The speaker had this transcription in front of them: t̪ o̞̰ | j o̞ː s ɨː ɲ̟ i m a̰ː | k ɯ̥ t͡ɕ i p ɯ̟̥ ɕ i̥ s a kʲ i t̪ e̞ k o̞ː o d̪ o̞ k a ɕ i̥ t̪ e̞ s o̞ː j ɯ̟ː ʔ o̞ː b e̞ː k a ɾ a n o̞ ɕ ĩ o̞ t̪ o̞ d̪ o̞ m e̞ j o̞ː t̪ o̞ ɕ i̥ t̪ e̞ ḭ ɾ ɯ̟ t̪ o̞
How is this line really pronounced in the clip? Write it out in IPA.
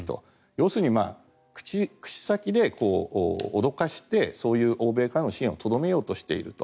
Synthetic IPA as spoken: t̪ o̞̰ | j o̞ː s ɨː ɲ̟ i m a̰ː | k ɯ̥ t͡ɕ i k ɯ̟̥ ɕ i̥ s a kʲ i d̪ e̞ k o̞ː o d̪ o̞ k a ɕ i̥ t̪ e̞ s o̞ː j ɯ̟ː ʔ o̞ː b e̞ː k a ɾ a n o̞ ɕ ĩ o̞ t̪ o̞ d̪ o̞ m e̞ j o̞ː t̪ o̞ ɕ i̥ t̪ e̞ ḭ ɾ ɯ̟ t̪ o̞